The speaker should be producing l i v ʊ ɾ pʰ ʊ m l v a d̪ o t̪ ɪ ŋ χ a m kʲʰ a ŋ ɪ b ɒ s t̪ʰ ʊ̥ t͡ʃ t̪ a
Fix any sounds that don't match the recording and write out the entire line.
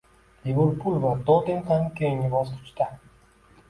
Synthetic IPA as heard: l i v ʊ ɾ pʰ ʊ l v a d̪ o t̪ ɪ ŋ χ a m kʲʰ e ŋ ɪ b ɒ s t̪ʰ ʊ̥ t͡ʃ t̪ a